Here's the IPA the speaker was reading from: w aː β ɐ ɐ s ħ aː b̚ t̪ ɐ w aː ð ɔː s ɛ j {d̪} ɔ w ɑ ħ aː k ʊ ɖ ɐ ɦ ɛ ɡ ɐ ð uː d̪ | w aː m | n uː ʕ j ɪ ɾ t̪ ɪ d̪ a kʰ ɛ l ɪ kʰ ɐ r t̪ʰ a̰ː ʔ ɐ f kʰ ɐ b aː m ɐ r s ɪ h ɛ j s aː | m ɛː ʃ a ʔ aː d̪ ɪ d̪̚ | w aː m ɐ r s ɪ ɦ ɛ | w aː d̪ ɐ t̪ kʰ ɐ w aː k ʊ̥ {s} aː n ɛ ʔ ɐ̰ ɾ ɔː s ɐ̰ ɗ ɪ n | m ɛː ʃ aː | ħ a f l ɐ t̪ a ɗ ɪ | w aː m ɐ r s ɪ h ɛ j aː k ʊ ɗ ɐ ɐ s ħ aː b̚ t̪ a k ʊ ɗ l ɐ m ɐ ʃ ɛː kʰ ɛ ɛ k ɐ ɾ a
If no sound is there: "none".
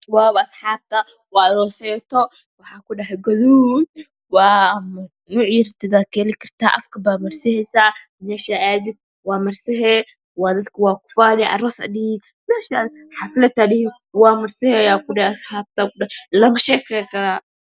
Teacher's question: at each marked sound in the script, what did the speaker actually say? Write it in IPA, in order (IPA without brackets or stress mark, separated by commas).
t̪, f